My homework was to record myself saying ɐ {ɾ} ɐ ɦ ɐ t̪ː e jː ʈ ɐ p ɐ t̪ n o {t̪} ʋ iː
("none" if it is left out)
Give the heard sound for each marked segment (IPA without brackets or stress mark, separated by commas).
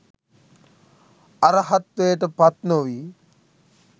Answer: ɾ, none